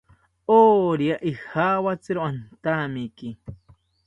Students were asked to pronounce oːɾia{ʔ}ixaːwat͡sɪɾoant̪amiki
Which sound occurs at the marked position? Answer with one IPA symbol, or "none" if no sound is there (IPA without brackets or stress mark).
ʔ